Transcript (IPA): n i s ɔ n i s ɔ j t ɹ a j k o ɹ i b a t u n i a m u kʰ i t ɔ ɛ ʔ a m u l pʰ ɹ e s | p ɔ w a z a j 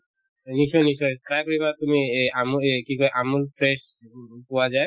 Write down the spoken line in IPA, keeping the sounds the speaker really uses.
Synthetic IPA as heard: n i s ɔ n i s ɔ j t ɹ a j k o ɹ i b a t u m i a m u k i k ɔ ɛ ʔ a m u l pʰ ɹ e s | p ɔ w a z a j